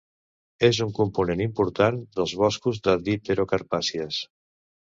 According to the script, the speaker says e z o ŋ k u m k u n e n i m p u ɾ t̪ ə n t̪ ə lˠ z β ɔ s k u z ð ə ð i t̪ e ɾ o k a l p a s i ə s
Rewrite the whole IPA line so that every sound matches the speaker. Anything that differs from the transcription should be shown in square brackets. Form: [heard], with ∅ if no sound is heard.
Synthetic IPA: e z [u] ŋ k u m [p] u n e n i m p u ɾ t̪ [a] n [d̪] ə lˠ z β ɔ s k u z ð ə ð i t̪ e ɾ o k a [ɾ] p a s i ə s